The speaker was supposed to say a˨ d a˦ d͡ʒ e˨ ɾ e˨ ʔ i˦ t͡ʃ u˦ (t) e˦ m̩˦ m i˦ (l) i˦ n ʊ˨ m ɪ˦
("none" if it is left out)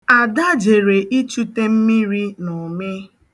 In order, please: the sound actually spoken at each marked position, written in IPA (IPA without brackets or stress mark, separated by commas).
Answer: t, ɾ